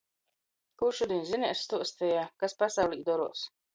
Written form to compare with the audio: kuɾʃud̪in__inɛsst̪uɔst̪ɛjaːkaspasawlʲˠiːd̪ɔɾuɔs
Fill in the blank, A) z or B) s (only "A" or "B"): A